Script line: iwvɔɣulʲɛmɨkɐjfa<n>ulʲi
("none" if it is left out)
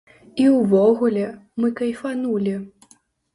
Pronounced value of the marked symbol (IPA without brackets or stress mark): n